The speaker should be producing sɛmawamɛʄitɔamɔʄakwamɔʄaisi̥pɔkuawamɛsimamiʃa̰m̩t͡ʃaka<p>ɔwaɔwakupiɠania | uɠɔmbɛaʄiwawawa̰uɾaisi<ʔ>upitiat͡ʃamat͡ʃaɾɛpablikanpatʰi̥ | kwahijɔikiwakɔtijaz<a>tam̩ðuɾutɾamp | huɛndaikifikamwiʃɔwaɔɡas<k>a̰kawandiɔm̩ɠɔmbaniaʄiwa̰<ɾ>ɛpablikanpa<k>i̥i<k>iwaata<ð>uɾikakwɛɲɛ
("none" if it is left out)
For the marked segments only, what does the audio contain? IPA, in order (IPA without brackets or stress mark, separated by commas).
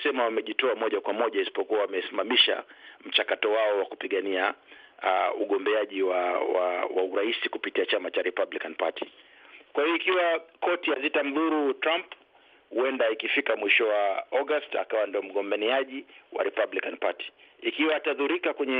t, k, i, t, ɾ, t, k, ð